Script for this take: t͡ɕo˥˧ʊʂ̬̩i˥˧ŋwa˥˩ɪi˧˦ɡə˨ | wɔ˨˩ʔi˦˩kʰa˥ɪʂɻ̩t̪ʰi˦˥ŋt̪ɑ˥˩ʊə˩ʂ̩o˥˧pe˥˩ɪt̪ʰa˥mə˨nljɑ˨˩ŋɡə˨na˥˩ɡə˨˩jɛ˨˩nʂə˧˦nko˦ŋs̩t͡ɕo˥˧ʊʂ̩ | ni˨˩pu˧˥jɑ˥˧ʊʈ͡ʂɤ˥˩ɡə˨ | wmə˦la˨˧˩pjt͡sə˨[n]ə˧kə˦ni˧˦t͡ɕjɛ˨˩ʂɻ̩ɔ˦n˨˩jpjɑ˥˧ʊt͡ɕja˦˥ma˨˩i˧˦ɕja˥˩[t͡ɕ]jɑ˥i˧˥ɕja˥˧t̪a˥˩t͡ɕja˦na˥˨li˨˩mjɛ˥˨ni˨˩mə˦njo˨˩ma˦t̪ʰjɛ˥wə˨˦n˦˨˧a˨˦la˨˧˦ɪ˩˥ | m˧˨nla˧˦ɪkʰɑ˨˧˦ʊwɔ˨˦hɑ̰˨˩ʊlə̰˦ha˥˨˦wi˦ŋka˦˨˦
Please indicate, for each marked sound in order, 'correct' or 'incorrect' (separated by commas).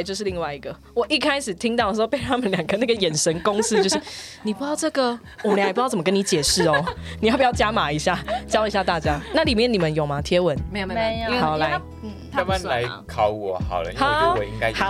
incorrect, correct